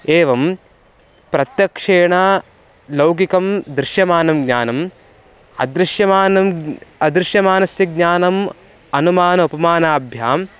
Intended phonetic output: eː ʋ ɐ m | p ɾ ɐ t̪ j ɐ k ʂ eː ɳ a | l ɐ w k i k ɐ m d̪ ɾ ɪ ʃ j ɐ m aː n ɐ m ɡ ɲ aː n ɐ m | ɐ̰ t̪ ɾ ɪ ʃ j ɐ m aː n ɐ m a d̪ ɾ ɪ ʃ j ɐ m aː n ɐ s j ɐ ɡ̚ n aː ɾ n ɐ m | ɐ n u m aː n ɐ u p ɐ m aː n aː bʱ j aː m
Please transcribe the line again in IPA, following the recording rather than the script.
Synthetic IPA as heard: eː ʋ ɐ m | p ɾ ɐ t̪ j ɐ k ʂ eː ɳ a | l ɐ w k i k ɐ m d̪ ɾ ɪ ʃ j ɐ m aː n ɐ m ɡ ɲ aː n ɐ m | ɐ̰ d̪ ɾ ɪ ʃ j ɐ m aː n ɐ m ɐ d̪ ɾ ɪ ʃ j ɐ m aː n ɐ s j ɐ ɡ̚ ɲ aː n ɐ m | ɐ n u m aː n ɐ u p ɐ m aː n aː bʱ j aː m